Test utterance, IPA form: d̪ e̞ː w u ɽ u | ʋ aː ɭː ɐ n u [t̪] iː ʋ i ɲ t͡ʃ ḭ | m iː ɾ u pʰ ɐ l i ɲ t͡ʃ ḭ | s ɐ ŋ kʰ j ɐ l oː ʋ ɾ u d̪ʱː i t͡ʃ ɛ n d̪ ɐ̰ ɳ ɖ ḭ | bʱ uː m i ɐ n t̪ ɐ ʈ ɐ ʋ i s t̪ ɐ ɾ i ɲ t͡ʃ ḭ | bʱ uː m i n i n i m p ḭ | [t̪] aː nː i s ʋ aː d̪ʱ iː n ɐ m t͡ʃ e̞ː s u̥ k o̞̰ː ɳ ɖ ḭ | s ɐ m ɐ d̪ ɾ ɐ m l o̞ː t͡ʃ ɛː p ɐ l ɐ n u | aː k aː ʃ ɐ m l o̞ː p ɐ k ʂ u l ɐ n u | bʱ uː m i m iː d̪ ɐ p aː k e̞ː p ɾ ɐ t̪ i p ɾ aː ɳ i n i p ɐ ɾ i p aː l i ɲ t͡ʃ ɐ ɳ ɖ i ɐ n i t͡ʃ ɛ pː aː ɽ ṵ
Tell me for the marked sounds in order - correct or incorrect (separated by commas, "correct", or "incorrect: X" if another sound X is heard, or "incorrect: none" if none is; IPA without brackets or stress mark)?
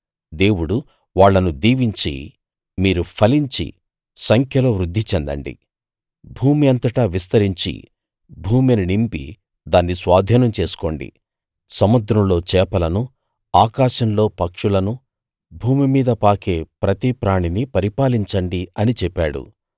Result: incorrect: d̪, incorrect: d̪